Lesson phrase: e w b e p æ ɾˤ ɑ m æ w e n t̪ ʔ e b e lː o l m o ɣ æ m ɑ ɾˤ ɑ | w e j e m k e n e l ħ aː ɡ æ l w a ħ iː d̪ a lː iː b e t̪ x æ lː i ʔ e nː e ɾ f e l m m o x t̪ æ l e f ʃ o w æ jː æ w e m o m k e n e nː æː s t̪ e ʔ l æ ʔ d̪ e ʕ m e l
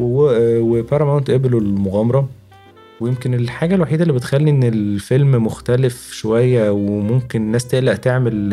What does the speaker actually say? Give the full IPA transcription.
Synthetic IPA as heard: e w w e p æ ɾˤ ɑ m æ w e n t̪ ʔ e b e l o l m o ɣ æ m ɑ ɾˤ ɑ | w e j e m k e n e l ħ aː ɡ æ l w a ħ iː d̪ æ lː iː b e t̪ x æ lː i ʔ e nː e l f e l m m o x t̪ æ l e f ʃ o w æ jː æ w e m o m k e n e nː æː s t̪ e ʔ l æ ʔ t̪ e ʕ m e l